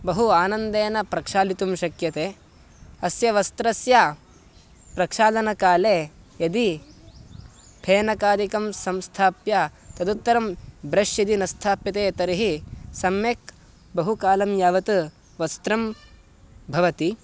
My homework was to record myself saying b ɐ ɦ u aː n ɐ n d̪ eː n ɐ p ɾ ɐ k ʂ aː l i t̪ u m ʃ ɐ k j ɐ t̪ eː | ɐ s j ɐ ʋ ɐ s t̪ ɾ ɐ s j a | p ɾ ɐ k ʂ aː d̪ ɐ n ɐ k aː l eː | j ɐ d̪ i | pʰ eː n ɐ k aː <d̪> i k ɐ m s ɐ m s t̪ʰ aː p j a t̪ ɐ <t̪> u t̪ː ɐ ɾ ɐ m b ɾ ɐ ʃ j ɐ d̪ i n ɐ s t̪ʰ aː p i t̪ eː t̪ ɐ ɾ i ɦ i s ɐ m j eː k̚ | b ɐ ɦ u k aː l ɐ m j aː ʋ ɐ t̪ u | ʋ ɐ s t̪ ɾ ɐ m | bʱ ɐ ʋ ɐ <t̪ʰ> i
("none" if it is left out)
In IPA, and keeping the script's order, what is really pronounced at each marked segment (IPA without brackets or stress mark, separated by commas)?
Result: d̪, d̪, t̪